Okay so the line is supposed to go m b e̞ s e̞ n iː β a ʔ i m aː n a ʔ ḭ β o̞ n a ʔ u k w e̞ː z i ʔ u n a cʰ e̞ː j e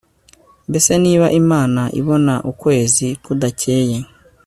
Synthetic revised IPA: m b e̞ s e̞ n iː β a ʔ i m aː n a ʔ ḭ β o̞ n a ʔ u k w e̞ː z i k u d a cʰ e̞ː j e